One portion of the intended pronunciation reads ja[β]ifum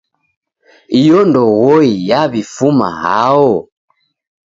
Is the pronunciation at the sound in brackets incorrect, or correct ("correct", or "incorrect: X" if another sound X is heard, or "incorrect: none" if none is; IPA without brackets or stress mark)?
correct